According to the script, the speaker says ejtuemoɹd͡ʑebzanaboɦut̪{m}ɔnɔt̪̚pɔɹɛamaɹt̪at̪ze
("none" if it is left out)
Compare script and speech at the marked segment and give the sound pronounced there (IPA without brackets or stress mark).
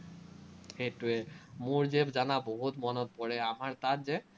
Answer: m